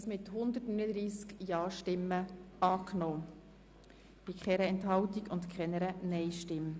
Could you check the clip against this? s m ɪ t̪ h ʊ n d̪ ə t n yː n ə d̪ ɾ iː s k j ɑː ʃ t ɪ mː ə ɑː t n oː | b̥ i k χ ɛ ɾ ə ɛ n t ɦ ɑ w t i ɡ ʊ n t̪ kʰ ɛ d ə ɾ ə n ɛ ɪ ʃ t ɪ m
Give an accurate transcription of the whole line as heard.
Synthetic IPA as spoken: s m ɪ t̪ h ʊ n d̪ ə t n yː n ə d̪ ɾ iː s k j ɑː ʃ t ɪ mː ə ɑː k n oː | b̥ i k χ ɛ ɾ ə ɛ n t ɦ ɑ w t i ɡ ʊ n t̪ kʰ ɛ n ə ɾ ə n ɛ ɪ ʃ t ɪ m